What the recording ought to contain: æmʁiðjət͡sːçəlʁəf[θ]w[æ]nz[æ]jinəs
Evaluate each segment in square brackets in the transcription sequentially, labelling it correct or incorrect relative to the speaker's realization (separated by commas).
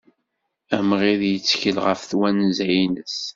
correct, correct, correct